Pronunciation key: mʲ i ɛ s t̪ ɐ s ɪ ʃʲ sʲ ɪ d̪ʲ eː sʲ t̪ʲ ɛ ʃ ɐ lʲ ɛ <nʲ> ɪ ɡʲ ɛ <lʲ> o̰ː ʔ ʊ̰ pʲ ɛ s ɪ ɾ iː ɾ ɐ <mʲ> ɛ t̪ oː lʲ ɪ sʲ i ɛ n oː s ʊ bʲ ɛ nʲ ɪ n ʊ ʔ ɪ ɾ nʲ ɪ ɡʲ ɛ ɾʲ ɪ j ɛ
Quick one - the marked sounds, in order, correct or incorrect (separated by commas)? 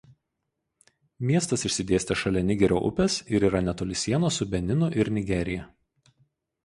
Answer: correct, incorrect, incorrect